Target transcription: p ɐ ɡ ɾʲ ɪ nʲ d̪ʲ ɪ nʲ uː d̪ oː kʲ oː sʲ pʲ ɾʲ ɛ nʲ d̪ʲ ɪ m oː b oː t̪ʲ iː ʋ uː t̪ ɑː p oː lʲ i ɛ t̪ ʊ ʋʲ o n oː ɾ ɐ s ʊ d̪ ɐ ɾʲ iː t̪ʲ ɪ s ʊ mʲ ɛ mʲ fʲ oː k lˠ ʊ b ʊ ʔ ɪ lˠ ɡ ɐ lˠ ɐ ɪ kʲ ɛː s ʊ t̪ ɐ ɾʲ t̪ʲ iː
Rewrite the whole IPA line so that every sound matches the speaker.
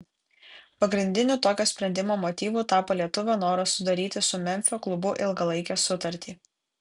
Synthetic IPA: p ɐ ɡ ɾʲ ɪ nʲ d̪ʲ ɪ nʲ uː t̪ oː kʲ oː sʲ pʲ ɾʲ ɛ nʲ d̪ʲ ɪ m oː m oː t̪ʲ iː ʋ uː t̪ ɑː p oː lʲ i ɛ t̪ ʊ ʋʲ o n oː ɾ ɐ s ʊ d̪ ɐ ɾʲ iː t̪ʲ ɪ s ʊ mʲ ɛ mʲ fʲ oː k lˠ ʊ b ʊ ʔ ɪ lˠ ɡ ɐ lˠ ɐ ɪ kʲ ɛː s ʊ t̪ ɐ ɾʲ t̪ʲ iː